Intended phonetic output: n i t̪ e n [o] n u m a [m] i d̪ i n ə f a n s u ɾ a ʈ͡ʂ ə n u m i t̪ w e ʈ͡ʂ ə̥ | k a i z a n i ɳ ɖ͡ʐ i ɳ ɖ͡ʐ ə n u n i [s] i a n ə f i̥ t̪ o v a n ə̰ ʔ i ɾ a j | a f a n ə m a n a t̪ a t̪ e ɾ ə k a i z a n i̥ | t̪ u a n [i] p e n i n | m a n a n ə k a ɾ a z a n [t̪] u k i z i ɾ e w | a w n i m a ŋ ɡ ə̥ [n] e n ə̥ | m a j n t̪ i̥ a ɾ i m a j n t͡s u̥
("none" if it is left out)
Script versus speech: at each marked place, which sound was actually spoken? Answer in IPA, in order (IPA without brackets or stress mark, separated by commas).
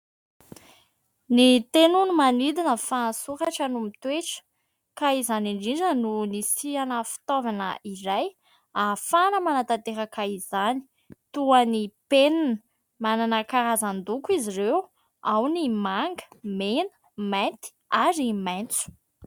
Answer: u, n, s, i, d̪, m